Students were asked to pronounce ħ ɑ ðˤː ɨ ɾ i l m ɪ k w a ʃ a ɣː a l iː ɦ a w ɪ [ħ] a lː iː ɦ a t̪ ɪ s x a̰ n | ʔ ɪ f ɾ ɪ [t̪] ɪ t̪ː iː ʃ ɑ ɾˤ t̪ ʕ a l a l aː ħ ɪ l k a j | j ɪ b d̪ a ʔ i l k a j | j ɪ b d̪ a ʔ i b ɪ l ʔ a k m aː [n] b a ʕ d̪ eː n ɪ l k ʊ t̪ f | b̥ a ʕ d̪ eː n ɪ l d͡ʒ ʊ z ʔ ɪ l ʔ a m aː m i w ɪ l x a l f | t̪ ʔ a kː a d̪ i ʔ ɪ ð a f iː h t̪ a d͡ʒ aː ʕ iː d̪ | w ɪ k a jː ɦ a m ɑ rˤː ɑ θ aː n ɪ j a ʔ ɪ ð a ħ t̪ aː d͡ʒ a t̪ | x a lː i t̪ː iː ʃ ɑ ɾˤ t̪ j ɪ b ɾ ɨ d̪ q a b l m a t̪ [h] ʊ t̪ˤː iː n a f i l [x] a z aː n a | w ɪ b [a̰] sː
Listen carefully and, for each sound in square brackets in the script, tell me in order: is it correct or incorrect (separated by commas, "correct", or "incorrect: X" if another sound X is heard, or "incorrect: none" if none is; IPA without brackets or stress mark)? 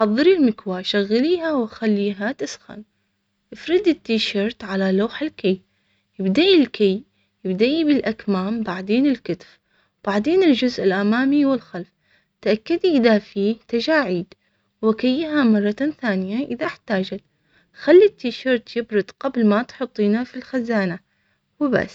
incorrect: x, incorrect: d̪, incorrect: m, incorrect: ħ, correct, correct